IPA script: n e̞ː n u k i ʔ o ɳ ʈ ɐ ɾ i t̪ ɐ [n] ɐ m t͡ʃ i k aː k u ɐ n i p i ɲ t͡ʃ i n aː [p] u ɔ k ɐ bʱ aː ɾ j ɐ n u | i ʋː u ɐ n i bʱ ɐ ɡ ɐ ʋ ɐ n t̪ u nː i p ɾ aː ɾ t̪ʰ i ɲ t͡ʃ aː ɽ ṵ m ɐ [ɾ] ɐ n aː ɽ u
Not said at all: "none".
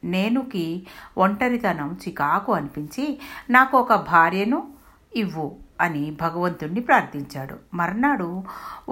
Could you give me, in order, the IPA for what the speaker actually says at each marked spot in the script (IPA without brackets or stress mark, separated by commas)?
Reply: n, k, ɾ